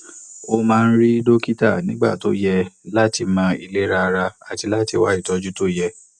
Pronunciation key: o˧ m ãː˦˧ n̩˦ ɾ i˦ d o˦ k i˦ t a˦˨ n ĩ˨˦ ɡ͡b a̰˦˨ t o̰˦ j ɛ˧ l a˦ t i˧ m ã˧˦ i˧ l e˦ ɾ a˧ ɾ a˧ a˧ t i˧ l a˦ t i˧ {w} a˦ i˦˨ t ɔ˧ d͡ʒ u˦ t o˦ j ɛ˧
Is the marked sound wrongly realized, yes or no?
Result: no